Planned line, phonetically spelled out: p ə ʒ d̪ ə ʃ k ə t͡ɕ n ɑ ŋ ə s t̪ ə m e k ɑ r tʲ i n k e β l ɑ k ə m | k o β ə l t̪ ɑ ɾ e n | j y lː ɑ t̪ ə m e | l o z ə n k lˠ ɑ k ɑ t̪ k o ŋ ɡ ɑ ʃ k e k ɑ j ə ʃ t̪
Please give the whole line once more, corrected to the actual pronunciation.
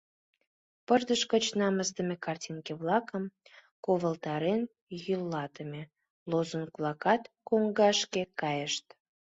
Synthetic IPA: p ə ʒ d̪ ə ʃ k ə t͡ɕ n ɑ m ə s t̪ ə m e k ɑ r tʲ i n k e β l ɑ k ə m | k o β ə l t̪ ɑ ɾ e n | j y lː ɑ t̪ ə m e | l o z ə n k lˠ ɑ k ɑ t̪ k o ŋ ɡ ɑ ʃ k e k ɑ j ə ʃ t̪